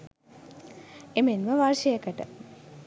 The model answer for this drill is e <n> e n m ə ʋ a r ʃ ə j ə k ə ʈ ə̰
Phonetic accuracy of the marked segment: incorrect: m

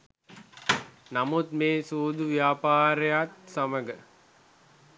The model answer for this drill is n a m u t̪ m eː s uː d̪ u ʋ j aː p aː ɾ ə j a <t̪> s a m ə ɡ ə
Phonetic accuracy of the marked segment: correct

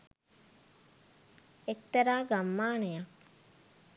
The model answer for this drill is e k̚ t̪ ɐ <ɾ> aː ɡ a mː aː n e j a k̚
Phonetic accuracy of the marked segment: correct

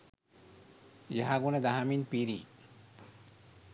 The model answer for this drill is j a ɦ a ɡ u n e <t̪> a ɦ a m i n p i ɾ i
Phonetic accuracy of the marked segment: incorrect: d̪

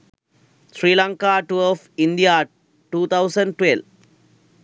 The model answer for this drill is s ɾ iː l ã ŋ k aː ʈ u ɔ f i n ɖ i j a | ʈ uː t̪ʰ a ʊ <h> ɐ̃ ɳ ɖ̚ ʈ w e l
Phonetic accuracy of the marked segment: incorrect: s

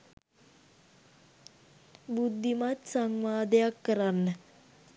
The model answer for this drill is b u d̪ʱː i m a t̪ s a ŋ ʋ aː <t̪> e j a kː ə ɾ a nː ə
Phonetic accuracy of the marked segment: incorrect: d̪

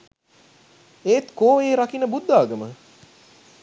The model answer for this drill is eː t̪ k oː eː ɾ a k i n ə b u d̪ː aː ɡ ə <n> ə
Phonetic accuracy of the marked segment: incorrect: m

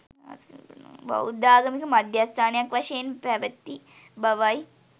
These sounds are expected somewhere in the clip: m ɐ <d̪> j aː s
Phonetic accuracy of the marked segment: correct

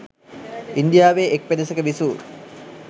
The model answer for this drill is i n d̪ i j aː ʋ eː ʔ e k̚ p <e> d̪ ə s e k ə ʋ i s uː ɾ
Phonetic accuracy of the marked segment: correct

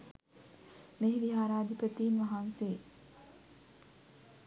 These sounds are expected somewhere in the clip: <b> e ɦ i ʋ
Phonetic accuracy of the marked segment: incorrect: m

